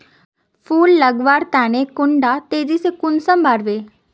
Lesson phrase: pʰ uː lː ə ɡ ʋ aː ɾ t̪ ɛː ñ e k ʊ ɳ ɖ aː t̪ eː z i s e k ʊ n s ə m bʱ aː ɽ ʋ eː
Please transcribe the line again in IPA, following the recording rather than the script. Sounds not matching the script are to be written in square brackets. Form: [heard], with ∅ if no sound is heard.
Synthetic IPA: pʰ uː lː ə ɡ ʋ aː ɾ t̪ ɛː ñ e k ʊ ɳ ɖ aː t̪ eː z i s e k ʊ n s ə m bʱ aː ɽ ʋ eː